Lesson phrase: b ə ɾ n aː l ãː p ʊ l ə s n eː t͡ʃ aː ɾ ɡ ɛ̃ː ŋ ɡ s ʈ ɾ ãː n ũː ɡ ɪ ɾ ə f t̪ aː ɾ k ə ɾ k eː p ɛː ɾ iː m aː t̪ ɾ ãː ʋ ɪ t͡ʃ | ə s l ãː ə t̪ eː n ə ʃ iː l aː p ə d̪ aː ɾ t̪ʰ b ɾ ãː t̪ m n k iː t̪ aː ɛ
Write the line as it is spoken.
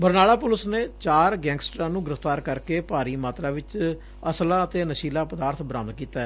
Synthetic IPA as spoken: b ə ɾ n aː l aː p ʊ l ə s n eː t͡ʃ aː ɾ ɡ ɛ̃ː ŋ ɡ s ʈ ɾ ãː n ũː ɡ ɪ ɾ ə f t̪ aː ɾ k ə ɾ k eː p aː ɾ iː m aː t̪ ɾ aː ʋ ɪ t͡ʃ | ə s l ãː ə t̪ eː n ə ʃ iː l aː p ə d̪ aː ɾ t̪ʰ b ɾ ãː m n k iː t̪ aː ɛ